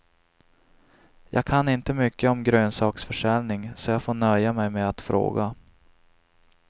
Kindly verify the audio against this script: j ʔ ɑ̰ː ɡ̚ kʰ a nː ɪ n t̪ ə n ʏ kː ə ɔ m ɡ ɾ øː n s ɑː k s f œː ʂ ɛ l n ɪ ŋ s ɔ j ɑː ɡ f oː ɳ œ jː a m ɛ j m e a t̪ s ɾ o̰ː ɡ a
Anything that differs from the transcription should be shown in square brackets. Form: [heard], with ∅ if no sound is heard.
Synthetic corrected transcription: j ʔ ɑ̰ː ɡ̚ kʰ a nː ɪ n t̪ ə [m] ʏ kː ə ɔ m ɡ ɾ øː n s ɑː k s f [œ] ʂ ɛ l n ɪ ŋ s ɔ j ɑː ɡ f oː ɳ œ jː a m ɛ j m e a t̪ [f] ɾ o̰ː ɡ a